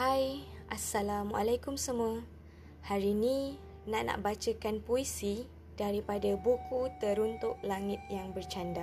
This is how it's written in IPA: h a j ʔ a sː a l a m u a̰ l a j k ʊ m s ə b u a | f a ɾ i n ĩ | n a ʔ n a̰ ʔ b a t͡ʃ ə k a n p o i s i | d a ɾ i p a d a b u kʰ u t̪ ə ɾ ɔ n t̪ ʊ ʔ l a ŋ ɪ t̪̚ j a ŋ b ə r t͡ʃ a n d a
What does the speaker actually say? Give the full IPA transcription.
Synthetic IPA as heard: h a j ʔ a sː a l a m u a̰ l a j k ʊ m s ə m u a | h a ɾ i n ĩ | n a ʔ n a̰ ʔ b a t͡ʃ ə k a n p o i s i | d a ɾ i p a d a b u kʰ u t̪ ə ɾ u n t̪ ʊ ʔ l a ŋ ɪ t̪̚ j a ŋ b ə r t͡ʃ a n d a